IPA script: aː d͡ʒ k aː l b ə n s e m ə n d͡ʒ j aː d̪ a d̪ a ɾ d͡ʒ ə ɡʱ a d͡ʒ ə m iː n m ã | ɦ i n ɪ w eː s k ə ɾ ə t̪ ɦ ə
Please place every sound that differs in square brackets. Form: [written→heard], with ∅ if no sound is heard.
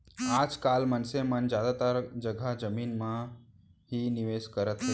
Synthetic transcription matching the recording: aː d͡ʒ k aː l [b→m] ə n s e m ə n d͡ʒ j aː d̪ a [d̪→t̪] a ɾ d͡ʒ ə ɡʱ a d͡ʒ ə m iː n m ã | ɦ i n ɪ [w→ʋ] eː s k ə ɾ ə t̪ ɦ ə